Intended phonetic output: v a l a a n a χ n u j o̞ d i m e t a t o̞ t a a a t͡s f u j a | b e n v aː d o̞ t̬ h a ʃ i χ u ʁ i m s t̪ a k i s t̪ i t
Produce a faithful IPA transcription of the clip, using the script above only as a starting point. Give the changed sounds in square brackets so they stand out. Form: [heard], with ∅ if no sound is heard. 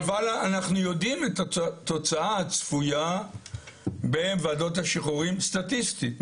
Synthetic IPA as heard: v a l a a n a χ n u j o̞ d i m e t a t o̞ [t͡s] a a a t͡s f u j a | b e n v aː d o̞ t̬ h a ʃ i χ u ʁ i m s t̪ a [t] i s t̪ i t